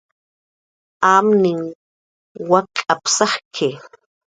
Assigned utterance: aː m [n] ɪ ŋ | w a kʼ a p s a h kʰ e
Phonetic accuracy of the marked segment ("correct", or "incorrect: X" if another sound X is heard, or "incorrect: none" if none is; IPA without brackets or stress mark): correct